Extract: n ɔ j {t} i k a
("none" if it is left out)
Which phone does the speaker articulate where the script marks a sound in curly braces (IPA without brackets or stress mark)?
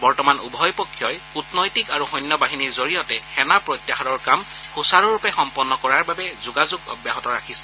t